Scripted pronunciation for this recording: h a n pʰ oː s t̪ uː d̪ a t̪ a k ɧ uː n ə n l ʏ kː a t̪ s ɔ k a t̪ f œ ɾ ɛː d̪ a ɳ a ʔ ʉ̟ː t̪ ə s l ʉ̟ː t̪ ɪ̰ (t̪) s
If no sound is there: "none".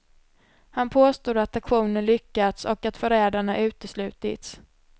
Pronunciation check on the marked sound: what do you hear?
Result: t̪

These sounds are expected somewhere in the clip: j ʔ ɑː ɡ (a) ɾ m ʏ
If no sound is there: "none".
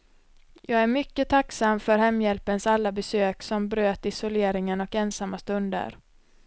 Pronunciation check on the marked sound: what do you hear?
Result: æ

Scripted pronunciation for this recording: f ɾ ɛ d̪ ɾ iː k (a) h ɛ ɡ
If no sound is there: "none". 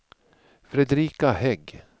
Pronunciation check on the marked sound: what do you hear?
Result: a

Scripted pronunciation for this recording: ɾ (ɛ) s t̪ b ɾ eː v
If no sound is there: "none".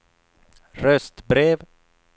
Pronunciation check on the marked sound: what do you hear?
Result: œ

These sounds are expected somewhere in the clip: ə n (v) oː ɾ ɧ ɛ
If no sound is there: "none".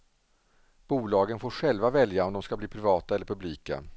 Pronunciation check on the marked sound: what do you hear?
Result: f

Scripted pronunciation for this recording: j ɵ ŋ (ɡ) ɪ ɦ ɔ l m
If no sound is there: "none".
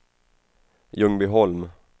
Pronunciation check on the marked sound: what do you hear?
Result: b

